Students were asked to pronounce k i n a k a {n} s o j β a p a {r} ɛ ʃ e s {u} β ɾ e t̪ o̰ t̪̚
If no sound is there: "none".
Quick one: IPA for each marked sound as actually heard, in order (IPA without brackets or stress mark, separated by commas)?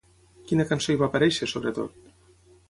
n, ɾ, o